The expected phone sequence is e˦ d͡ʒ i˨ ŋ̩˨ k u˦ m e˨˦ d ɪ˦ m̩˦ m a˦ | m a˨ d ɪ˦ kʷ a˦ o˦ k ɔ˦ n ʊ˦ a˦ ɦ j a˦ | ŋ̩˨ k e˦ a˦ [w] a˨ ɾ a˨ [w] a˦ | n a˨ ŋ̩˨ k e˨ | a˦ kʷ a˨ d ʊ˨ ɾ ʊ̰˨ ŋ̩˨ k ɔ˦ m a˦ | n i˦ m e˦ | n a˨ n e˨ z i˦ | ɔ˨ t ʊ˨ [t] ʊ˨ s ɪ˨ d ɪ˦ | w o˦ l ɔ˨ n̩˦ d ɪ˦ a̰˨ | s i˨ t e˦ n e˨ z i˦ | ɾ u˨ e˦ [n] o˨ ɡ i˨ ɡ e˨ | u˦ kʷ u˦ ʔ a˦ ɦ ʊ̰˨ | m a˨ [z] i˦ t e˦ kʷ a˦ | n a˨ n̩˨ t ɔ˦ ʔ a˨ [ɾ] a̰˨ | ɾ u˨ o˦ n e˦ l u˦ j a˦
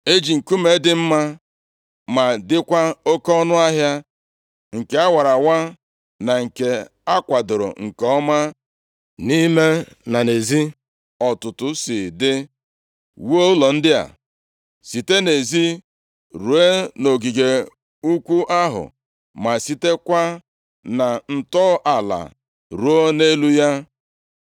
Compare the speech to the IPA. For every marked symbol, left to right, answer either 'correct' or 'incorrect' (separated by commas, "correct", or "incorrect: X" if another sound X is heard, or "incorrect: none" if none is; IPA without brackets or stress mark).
correct, correct, correct, correct, incorrect: s, incorrect: l